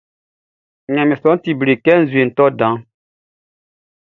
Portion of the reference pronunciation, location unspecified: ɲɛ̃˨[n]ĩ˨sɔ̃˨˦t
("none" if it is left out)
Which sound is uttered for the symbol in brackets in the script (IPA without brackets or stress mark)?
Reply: m